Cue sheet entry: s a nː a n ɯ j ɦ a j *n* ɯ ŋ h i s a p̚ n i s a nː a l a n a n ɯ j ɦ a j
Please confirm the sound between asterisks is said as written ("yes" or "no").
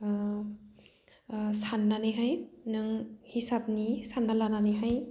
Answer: yes